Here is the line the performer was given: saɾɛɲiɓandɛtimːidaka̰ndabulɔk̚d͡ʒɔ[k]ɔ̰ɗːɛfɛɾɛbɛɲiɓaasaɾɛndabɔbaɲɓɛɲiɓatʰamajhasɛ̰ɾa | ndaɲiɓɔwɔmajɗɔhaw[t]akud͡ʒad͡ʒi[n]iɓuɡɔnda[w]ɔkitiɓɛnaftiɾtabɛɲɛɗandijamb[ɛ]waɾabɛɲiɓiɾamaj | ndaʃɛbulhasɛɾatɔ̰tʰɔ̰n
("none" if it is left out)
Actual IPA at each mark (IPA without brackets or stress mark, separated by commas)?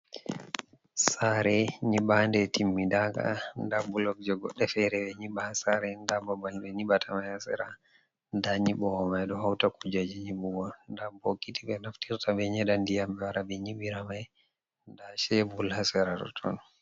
ɡ, t, ɲ, b, ɛ